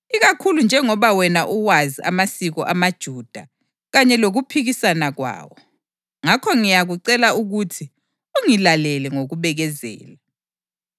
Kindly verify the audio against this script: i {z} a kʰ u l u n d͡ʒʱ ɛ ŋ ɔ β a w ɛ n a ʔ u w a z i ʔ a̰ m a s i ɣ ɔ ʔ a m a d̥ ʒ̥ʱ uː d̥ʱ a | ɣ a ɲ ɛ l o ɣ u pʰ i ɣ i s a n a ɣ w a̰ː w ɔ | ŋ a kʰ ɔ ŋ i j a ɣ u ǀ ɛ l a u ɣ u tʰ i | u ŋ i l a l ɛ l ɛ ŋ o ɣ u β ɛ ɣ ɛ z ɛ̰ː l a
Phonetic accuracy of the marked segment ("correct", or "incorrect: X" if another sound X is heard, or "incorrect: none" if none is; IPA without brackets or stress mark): incorrect: ɣ